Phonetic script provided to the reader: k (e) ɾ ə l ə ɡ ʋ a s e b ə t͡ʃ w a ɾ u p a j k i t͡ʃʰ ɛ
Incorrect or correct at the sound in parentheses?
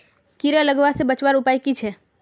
incorrect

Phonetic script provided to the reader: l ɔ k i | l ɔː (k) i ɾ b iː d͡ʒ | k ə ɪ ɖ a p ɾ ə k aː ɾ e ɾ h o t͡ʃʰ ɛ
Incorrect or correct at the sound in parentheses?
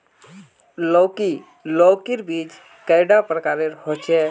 correct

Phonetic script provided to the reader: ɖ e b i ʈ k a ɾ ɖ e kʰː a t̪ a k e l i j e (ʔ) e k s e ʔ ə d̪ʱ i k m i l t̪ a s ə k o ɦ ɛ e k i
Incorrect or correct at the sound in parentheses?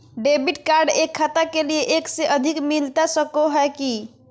correct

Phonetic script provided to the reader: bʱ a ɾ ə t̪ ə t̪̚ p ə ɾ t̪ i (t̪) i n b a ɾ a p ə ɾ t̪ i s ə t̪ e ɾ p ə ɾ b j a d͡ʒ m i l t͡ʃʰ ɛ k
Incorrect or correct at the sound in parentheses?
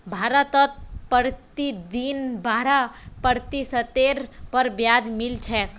incorrect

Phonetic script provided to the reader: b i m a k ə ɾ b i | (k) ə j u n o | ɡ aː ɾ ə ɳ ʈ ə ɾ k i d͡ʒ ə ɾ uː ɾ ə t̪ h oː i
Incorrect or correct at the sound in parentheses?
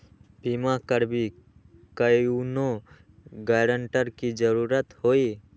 correct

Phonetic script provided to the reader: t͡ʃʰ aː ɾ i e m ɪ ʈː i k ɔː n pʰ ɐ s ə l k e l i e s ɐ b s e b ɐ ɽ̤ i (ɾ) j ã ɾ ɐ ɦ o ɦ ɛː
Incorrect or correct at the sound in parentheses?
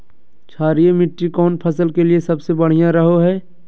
incorrect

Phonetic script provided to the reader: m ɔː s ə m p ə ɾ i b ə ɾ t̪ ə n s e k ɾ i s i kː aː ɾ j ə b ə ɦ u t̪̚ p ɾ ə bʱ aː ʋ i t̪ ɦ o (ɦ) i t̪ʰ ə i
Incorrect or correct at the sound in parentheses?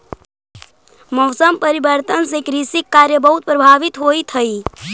incorrect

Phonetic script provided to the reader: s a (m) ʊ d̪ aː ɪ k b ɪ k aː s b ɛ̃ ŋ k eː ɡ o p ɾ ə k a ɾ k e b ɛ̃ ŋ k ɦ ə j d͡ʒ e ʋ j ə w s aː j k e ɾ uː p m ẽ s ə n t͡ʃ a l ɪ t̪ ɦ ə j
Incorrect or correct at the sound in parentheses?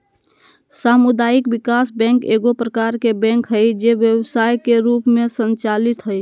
correct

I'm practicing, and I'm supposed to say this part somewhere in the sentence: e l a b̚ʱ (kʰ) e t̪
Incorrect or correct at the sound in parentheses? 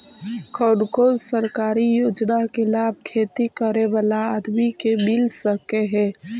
correct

